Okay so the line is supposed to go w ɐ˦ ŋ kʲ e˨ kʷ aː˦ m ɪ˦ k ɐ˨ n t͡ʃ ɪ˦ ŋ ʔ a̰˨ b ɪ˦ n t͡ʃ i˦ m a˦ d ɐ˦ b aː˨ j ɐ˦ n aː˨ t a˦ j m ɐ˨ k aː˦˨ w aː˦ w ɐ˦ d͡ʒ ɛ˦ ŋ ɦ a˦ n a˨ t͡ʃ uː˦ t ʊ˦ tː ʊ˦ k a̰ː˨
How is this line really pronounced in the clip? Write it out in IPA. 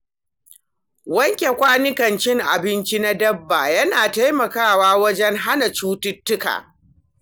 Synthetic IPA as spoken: w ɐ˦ ŋ kʲ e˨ kʷ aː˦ n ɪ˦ k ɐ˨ n t͡ʃ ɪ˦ ŋ ʔ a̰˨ b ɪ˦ n t͡ʃ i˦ n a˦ d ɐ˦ bː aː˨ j ɐ˦ n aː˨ t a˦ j m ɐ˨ k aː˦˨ w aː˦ w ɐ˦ d͡ʒ ɛ˦ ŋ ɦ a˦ n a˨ t͡ʃ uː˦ t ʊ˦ tː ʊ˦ k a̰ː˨